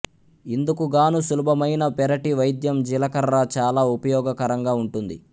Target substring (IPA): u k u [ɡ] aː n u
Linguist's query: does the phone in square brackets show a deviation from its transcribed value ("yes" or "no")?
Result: no